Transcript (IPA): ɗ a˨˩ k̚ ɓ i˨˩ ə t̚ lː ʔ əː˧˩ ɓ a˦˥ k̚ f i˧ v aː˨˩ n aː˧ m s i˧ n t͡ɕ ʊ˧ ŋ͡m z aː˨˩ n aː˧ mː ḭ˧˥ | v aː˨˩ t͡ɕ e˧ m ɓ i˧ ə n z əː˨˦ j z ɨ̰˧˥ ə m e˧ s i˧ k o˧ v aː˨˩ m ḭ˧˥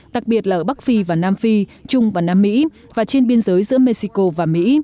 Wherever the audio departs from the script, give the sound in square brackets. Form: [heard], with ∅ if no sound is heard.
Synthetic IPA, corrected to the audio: ɗ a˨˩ k̚ ɓ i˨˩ ə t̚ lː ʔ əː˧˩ ɓ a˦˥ k̚ f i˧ v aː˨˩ n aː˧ m [f] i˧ [∅] t͡ɕ ʊ˧ ŋ͡m [v] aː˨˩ n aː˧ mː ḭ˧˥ | v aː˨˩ t͡ɕ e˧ [n] ɓ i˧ ə n z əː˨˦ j z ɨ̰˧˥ ə m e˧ s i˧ k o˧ v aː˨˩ m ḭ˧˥

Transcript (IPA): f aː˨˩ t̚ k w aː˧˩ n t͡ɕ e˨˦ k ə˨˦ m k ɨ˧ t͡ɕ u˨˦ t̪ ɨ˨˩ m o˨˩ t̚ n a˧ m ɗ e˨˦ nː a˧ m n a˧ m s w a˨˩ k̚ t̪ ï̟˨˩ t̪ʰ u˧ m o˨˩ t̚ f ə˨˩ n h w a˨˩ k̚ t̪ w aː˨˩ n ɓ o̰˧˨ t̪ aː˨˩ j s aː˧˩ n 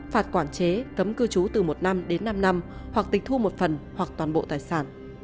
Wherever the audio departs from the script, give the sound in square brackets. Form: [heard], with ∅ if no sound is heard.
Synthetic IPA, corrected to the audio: f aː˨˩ t̚ k w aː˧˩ n t͡ɕ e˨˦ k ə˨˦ m k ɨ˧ t͡ɕ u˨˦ t̪ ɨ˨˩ m o˨˩ t̚ n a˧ m ɗ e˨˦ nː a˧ m n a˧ m [h] w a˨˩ k̚ t̪ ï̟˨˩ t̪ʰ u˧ m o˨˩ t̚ f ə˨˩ n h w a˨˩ k̚ t̪ w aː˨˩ n ɓ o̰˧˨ t̪ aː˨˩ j s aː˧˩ n

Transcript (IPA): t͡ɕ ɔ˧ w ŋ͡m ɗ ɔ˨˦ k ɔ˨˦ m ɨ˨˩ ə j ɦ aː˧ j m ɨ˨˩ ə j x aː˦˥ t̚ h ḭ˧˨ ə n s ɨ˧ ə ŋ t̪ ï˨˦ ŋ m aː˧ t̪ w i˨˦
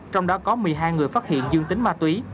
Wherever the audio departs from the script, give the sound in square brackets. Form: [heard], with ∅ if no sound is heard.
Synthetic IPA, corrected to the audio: t͡ɕ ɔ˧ w ŋ͡m ɗ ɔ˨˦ k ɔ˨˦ m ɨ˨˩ ə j ɦ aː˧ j [ŋ] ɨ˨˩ ə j [f] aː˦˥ t̚ h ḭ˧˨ ə n [z] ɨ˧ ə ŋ t̪ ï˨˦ ŋ m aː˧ t̪ w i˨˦

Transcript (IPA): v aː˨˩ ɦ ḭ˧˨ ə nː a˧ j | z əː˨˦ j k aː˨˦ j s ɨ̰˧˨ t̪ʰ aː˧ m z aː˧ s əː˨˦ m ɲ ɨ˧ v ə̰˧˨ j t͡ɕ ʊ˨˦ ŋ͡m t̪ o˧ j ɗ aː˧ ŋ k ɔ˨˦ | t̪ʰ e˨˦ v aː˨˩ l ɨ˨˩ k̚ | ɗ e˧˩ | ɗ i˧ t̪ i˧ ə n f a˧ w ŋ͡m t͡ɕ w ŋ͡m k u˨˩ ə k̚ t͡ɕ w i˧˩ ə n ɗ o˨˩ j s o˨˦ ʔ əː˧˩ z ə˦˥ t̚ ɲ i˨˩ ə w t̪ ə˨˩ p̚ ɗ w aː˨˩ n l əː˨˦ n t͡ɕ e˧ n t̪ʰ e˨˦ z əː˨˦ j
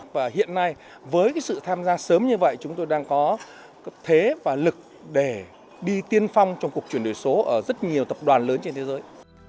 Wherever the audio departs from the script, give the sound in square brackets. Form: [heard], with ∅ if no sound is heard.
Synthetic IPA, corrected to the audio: v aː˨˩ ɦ ḭ˧˨ ə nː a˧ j | [v] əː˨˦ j k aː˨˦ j s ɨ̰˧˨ t̪ʰ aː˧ m z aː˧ s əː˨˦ m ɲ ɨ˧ v ə̰˧˨ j t͡ɕ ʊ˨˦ ŋ͡m t̪ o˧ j ɗ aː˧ ŋ k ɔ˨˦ | t̪ʰ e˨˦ v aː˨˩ l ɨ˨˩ k̚ | ɗ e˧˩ | ɗ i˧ t̪ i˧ ə n f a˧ w ŋ͡m t͡ɕ w ŋ͡m k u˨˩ ə k̚ t͡ɕ w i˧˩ ə n ɗ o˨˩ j s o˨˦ ʔ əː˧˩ z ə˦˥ t̚ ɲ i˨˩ ə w t̪ ə˨˩ p̚ ɗ w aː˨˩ n l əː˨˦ n t͡ɕ e˧ n t̪ʰ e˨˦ z əː˨˦ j

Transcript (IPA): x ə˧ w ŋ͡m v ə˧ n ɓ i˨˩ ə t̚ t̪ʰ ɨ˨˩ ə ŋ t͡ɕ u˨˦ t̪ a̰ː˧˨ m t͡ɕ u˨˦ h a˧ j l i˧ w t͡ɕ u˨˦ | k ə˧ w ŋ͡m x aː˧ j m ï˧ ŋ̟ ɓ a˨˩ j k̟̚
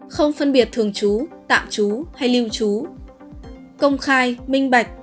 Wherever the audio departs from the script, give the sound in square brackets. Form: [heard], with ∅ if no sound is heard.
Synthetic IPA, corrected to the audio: x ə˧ w ŋ͡m [f] ə˧ n ɓ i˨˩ ə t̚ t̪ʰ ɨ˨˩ ə ŋ t͡ɕ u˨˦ t̪ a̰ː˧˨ m t͡ɕ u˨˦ h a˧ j l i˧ w t͡ɕ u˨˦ | k ə˧ w ŋ͡m x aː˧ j m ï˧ ŋ̟ ɓ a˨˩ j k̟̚

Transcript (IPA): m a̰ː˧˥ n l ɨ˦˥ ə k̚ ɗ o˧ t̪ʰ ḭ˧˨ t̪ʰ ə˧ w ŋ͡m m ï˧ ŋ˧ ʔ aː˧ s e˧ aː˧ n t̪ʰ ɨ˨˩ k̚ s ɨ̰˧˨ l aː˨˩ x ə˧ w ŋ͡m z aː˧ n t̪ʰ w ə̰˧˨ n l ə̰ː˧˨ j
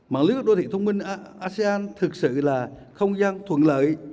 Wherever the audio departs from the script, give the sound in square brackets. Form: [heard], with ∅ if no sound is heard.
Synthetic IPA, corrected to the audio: m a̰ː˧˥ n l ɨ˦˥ ə k̚ ɗ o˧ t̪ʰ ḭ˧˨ t̪ʰ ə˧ w ŋ͡m m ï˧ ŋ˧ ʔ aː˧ s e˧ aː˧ n t̪ʰ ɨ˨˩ k̚ s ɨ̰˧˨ l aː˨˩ x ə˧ w ŋ͡m z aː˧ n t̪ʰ w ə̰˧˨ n l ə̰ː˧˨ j

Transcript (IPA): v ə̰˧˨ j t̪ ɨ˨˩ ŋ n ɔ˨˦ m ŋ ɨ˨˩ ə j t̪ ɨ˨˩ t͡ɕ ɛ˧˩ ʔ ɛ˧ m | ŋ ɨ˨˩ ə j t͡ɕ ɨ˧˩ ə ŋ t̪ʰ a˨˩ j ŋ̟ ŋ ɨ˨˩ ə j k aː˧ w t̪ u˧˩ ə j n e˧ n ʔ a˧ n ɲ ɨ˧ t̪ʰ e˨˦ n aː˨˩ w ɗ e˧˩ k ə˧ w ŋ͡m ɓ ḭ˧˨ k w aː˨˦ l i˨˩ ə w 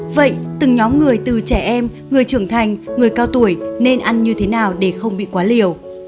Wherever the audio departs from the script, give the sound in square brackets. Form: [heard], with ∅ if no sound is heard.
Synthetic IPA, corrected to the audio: v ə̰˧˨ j t̪ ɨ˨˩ ŋ [ɲ] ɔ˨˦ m ŋ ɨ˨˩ ə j t̪ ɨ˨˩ t͡ɕ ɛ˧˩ ʔ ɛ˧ m | ŋ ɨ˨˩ ə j t͡ɕ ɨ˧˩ ə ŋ t̪ʰ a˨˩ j ŋ̟ ŋ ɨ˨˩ ə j k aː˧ w t̪ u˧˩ ə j n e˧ n ʔ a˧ n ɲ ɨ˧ t̪ʰ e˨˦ n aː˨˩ w ɗ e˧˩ [x] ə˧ w ŋ͡m ɓ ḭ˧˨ k w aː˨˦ l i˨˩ ə w

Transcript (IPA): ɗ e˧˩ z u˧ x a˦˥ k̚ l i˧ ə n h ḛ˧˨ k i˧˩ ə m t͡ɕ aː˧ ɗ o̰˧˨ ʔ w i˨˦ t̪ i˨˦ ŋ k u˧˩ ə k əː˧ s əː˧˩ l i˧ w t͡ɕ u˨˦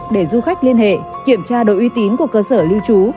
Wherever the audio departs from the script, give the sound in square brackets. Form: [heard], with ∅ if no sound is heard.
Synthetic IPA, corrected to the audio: ɗ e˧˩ z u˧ x a˦˥ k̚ l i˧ ə n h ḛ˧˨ k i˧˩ ə m t͡ɕ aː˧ ɗ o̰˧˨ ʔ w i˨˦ t̪ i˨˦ [n] k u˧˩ ə k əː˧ s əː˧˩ l i˧ w t͡ɕ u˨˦

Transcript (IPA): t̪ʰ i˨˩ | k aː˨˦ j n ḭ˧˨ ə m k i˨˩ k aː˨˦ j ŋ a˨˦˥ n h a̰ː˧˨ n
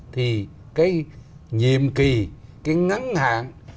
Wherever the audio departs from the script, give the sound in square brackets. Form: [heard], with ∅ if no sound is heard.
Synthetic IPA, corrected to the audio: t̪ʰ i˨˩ | k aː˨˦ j [ɲ] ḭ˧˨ ə m k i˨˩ k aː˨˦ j ŋ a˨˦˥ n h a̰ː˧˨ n

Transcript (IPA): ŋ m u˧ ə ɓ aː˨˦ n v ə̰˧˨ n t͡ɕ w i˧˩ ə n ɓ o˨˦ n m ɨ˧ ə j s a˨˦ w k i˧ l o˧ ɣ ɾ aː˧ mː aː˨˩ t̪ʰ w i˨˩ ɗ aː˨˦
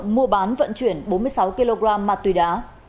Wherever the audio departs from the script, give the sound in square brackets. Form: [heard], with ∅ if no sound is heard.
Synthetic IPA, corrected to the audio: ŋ m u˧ ə ɓ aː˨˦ n v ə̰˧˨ n t͡ɕ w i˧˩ ə n ɓ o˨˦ n m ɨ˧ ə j s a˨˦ w k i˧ l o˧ ɣ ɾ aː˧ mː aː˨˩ [t̪] w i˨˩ ɗ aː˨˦

